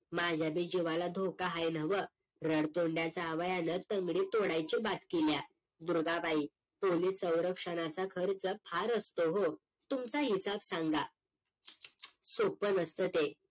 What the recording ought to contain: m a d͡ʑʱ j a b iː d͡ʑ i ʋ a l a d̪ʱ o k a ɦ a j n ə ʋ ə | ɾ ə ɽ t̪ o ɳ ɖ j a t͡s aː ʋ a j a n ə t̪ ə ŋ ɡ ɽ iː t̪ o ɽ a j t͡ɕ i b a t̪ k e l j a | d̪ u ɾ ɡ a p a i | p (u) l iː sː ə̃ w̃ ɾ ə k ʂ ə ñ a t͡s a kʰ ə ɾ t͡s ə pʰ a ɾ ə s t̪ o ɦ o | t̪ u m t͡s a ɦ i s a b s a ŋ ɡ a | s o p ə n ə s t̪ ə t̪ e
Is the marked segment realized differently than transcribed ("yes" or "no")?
yes